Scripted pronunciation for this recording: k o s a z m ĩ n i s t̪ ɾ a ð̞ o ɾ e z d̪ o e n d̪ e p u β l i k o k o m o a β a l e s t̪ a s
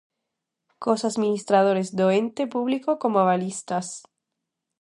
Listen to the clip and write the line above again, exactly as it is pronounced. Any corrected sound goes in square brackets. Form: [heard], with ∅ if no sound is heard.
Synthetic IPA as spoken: k o s a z m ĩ n i s t̪ ɾ a ð̞ o ɾ e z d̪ o e n [t̪] e p u β l i k o k o m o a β a l [i] s t̪ a s